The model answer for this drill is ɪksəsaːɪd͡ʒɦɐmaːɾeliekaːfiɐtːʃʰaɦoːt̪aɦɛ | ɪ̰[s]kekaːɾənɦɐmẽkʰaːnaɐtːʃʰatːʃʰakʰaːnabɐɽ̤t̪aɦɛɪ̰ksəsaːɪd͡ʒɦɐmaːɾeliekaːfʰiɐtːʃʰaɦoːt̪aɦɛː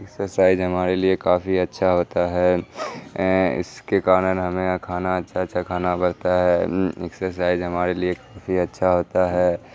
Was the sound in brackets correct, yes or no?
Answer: yes